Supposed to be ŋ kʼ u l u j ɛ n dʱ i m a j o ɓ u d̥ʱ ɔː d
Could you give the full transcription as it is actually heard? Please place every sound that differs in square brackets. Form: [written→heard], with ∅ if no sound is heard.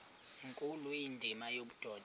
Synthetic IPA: ŋ kʼ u l u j [ɛ→i] n dʱ i m a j o ɓ u d̥ʱ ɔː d